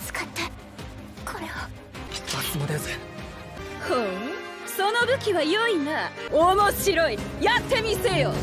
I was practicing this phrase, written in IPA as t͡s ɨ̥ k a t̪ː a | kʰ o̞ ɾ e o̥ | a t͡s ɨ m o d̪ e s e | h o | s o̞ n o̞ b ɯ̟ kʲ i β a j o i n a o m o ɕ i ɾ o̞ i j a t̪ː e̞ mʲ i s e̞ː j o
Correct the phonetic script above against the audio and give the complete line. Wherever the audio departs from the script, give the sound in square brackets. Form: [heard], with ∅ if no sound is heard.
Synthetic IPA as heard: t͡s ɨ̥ k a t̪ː a | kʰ o̞ ɾ e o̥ | a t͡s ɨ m o d̪ e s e | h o | s o̞ n o̞ b ɯ̟ kʲ i β a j o i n a o m o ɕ i ɾ o̞ i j a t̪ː e̞ mʲ i s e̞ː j o